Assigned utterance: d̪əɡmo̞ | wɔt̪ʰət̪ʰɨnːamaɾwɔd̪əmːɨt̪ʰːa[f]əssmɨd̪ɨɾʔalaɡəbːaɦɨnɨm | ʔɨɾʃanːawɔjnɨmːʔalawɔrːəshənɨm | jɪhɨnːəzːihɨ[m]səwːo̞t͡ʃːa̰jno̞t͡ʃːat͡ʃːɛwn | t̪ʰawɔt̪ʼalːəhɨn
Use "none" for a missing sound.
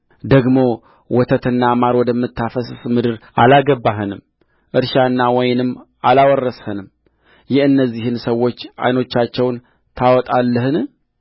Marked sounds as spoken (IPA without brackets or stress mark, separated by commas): f, n